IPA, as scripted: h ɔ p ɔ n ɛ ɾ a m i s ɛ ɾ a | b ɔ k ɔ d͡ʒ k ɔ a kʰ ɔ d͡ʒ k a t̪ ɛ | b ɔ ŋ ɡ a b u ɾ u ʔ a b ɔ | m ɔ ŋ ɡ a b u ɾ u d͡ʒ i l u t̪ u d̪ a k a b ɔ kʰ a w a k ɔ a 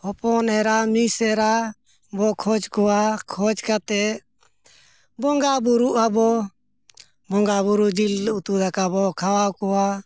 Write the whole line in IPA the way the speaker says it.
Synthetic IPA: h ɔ p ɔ n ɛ ɾ a m i s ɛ ɾ a | b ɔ kʰ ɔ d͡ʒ k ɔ a kʰ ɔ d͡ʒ k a t̪ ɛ | b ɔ ŋ ɡ a b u ɾ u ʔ a b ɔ | b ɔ ŋ ɡ a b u ɾ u d͡ʒ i l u t̪ u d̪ a k a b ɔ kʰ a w a k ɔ a

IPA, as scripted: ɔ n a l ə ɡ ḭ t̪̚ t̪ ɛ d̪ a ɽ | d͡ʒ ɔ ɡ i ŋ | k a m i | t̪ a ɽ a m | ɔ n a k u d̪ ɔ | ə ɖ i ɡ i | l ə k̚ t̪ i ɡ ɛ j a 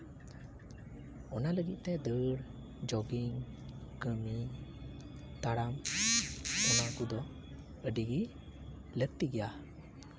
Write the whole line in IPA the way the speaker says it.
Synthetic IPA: ɔ n a l ə ɡ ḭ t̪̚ t̪ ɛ d̪ ə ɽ | d͡ʒ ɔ ɡ i ŋ | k ə m i | t̪ a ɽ a m | ɔ n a k u d̪ ɔ | ə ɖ i ɡ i | l ə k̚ t̪ i ɡ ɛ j a

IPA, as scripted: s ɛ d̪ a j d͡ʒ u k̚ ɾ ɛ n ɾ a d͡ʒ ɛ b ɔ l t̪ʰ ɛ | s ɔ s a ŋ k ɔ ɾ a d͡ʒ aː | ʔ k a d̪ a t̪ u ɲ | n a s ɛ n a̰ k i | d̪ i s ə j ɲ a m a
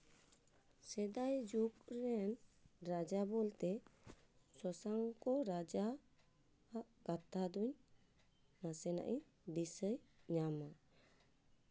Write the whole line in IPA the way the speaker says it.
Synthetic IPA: s ɛ d̪ a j d͡ʒ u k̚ ɾ ɛ n ɾ a d͡ʒ a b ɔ l t̪ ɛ | s ɔ s a ŋ k ɔ ɾ a d͡ʒ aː | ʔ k a t̪ a d̪ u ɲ | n a s ɛ n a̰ ʔ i | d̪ i s ə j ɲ a m a

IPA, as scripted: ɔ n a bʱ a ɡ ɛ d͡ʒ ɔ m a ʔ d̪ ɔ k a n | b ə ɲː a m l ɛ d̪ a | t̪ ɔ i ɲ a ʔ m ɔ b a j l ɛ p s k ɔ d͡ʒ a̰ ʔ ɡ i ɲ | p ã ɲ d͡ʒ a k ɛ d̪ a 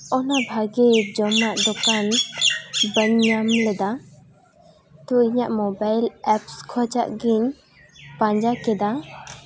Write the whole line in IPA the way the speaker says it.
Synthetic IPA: ɔ n a bʱ a ɡ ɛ d͡ʒ ɔ m a ʔ d̪ ɔ k a n | b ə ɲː a m l ɛ d̪ a | t̪ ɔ i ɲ a ʔ m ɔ b a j l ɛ p s kʰ ɔ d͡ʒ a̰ ʔ ɡ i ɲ | p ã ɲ d͡ʒ a k ɛ d̪ a

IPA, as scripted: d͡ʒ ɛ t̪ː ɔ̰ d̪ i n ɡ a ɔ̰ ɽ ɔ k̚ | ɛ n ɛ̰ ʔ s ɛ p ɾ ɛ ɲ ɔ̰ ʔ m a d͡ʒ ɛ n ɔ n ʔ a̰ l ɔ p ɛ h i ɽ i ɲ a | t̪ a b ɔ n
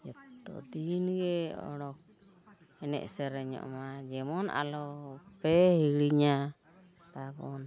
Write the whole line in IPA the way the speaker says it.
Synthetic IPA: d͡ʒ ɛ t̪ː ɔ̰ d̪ i n ɡ ɛ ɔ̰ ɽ ɔ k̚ | ɛ n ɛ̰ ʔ s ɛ ɾ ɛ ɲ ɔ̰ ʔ m a d͡ʒ ɛ m ɔ n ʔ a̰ l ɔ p ɛ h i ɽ i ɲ a | t̪ a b ɔ n

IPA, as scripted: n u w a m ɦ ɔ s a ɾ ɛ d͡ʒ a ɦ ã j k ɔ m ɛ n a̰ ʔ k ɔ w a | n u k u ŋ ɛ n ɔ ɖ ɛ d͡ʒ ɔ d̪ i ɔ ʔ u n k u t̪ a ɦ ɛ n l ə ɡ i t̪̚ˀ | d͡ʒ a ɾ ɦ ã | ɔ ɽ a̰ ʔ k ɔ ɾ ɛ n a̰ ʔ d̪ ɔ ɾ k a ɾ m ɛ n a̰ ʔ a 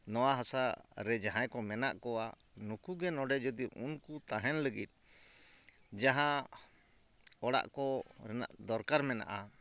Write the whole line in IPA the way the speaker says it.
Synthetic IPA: n ɔ w a ɦ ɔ s a ɾ ɛ d͡ʒ a ɦ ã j k ɔ m ɛ n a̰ ʔ k ɔ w a | n u k u ɡ ɛ n ɔ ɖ ɛ d͡ʒ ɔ d̪ i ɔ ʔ u n k u t̪ a ɦ ɛ n l ə ɡ i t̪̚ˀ | d͡ʒ a ɦ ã | ɔ ɽ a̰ ʔ k ɔ ɾ ɛ n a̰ ʔ d̪ ɔ ɾ k a ɾ m ɛ n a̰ ʔ a

